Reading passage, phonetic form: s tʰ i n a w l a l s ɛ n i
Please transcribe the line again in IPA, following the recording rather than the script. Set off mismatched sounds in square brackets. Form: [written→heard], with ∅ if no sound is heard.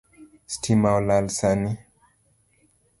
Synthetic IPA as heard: s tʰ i [n→m] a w l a l s [ɛ→a] n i